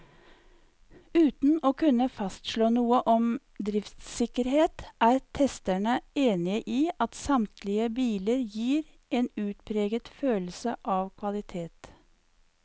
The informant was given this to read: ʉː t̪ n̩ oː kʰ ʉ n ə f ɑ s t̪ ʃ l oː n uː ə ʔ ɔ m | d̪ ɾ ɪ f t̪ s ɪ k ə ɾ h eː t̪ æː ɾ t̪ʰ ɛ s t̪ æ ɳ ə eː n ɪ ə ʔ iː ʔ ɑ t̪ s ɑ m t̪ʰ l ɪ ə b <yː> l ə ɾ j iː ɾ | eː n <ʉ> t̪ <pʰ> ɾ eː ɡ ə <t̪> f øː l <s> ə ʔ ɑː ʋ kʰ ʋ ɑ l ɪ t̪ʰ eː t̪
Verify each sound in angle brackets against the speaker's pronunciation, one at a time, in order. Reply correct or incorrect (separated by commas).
incorrect, incorrect, correct, correct, correct